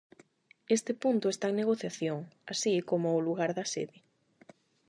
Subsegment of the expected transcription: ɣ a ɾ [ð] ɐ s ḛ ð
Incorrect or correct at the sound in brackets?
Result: correct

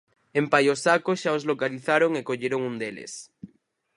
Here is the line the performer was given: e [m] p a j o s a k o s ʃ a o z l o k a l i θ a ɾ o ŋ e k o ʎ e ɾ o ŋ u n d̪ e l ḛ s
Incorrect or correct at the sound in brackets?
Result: correct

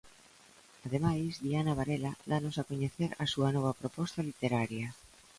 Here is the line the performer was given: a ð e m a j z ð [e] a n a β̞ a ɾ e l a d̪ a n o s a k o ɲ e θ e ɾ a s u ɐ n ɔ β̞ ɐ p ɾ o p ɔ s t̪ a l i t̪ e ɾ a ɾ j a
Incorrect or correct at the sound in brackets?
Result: incorrect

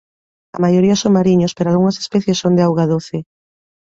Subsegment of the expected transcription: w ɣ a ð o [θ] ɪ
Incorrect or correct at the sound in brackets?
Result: correct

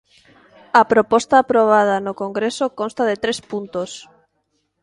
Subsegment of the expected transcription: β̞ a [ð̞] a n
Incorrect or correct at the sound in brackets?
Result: correct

